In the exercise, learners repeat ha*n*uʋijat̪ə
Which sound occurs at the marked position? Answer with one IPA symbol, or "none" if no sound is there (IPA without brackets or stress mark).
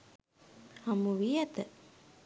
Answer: m